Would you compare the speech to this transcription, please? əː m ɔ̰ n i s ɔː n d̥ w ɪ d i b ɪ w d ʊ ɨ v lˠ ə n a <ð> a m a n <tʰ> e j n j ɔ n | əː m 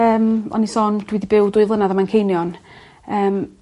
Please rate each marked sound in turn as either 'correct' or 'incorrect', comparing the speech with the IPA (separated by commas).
correct, incorrect